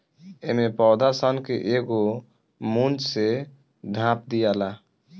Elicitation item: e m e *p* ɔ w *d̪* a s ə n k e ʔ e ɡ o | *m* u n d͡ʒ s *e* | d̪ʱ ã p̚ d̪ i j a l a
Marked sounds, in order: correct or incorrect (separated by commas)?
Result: correct, correct, correct, correct